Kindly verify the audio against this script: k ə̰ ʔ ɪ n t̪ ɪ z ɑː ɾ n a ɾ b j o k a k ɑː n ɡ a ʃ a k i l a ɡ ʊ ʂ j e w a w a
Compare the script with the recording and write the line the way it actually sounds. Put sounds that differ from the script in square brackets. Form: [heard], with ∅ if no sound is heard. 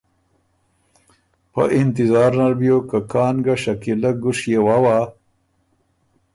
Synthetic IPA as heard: [p] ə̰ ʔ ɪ n t̪ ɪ z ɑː ɾ n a ɾ b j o k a k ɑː n ɡ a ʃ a k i l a ɡ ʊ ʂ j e w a w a

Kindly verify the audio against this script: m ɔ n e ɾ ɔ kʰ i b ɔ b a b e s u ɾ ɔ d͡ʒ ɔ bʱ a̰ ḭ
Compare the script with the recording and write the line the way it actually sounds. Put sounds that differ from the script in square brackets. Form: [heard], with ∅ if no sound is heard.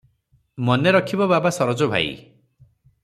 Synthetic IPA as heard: m ɔ n e ɾ ɔ kʰ i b ɔ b a b [a] s [ɔ] ɾ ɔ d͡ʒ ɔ bʱ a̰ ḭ

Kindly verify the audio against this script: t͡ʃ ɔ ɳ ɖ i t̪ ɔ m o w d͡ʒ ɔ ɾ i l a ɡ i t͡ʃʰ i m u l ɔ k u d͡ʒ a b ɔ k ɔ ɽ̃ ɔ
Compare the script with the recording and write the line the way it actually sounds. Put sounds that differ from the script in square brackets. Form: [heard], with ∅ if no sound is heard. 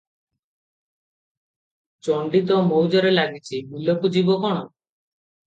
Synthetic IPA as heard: t͡ʃ ɔ ɳ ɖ i t̪ ɔ m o w d͡ʒ ɔ ɾ [e] l a ɡ i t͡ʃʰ i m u l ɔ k u d͡ʒ [i] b ɔ k ɔ ɽ̃ ɔ

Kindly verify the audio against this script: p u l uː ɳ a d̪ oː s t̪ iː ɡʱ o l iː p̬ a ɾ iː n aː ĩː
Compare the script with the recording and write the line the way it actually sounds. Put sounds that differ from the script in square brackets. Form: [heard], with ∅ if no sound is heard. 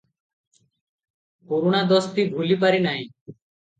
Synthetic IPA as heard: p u [ɾ] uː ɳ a d̪ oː s t̪ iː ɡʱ [u] l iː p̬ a ɾ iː n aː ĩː

